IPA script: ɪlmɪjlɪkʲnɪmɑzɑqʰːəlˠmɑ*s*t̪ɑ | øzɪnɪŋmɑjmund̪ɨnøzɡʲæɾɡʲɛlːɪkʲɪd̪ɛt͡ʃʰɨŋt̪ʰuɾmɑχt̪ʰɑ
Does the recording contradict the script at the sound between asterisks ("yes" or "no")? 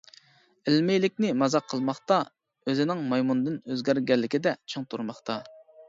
yes